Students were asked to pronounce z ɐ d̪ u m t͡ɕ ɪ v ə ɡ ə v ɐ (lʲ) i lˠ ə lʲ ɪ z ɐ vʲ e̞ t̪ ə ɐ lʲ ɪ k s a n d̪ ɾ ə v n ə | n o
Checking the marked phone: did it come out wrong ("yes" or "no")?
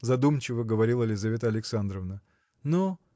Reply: yes